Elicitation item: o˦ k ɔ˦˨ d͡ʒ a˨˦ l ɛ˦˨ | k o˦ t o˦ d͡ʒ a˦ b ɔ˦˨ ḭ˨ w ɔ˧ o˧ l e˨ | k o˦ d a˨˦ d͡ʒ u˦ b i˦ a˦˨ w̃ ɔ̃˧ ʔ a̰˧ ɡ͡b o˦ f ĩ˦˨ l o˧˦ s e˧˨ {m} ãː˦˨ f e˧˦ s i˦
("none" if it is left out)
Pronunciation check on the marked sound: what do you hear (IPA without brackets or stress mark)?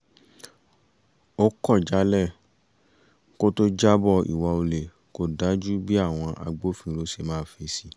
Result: m